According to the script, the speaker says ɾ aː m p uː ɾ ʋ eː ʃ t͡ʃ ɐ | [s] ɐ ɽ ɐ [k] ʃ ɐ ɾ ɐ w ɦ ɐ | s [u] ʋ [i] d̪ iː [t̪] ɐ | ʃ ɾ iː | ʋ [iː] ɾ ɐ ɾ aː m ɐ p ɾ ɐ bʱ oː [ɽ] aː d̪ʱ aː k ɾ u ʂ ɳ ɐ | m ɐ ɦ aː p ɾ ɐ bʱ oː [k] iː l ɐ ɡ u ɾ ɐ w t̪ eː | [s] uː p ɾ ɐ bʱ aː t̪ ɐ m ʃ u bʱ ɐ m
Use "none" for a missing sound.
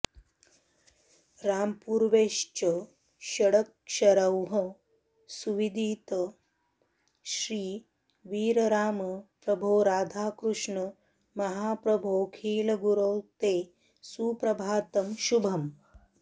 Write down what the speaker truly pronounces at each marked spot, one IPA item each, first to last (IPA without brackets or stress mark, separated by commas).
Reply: ʃ, k, u, i, t̪, iː, ɾ, kʰ, s